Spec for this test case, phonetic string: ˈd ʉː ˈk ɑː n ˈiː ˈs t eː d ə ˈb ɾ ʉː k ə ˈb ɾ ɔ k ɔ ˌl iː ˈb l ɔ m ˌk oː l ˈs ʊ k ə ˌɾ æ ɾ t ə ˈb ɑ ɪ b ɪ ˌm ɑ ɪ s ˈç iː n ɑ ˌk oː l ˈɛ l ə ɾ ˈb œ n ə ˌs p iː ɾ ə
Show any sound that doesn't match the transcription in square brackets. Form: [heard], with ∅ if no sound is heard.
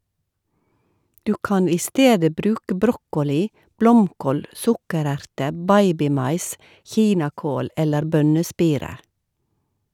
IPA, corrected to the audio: ˈd ʉː ˈk [ɑ] n ˈiː ˈs t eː d ə ˈb ɾ ʉː k ə ˈb ɾ ɔ k ɔ ˌl iː ˈb l ɔ m ˌk oː l ˈs ʊ k ə ˌɾ æ ɾ t ə ˈb ɑ ɪ b ɪ ˌm ɑ ɪ s ˈç iː n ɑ ˌk oː l ˈɛ l ə ɾ ˈb œ n ə ˌs p iː ɾ ə